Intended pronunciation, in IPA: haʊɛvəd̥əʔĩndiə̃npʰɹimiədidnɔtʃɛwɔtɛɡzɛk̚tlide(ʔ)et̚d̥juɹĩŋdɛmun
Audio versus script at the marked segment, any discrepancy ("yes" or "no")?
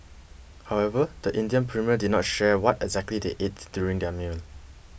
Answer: no